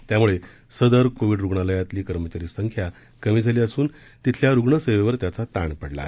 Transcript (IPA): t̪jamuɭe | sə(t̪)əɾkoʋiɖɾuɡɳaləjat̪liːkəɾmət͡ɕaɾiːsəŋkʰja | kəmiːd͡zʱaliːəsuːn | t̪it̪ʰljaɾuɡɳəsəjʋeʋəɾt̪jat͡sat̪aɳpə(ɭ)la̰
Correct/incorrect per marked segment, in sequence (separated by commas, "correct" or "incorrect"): incorrect, incorrect